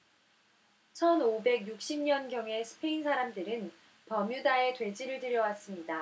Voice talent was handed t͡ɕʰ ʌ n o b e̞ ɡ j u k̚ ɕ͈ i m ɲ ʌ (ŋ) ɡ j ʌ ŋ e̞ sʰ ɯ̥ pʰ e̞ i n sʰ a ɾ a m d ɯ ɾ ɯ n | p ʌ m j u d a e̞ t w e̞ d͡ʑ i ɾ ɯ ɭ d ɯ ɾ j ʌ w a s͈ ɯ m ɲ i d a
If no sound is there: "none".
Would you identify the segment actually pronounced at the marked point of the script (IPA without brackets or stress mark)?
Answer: n